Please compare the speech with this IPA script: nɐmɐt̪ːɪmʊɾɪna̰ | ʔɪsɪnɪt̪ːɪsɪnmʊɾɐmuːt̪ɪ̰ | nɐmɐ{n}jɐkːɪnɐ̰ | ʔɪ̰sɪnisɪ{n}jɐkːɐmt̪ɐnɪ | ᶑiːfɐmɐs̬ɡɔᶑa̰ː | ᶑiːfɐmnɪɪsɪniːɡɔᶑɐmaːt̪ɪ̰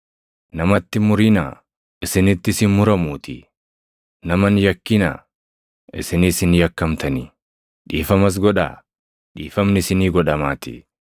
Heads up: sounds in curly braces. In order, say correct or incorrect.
correct, correct

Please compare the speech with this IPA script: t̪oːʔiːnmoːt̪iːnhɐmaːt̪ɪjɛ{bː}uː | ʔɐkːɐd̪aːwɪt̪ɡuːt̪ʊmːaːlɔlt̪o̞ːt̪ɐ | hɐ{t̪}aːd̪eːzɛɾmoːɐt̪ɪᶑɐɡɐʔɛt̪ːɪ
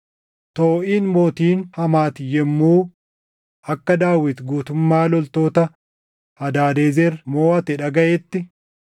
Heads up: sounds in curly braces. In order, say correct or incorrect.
incorrect: mː, incorrect: d̪

